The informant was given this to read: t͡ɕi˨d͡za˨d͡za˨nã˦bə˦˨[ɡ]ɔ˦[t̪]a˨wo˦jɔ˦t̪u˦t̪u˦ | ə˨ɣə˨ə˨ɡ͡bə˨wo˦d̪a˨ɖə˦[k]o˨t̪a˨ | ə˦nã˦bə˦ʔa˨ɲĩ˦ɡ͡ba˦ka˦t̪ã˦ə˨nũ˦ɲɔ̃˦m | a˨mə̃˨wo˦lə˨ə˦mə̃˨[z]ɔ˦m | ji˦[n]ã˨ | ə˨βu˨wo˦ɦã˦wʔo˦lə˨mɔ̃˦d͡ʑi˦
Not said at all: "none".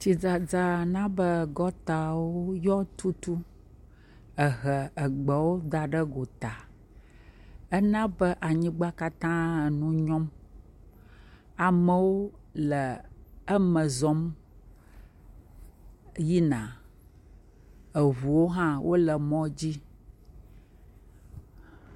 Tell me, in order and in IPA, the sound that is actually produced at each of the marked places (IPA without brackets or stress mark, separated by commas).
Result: ɡ, t̪, ɡ, z, n